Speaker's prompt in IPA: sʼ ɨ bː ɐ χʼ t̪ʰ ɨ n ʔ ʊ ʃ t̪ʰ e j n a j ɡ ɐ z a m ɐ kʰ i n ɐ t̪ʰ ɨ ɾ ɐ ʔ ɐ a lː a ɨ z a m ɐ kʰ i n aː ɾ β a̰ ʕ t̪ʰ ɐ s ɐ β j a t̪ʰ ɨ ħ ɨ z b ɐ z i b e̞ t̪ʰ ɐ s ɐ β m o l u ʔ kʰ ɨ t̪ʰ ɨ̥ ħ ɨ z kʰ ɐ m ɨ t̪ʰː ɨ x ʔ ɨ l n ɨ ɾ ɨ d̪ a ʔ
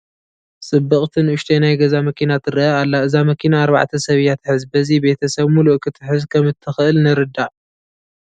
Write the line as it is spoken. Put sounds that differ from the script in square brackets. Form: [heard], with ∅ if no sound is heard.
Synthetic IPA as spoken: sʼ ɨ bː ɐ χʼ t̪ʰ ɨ n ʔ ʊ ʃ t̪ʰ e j n a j ɡ ɐ z a m ɐ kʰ i n [a] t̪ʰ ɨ ɾ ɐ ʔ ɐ a lː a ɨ z a m ɐ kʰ i n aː ɾ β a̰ ʕ t̪ʰ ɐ s ɐ β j a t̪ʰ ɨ ħ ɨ z b ɐ z i b e̞ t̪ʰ ɐ s ɐ β m [u] l u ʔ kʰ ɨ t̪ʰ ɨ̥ ħ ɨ z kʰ ɐ m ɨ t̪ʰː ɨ x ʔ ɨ l n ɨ ɾ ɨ d̪ a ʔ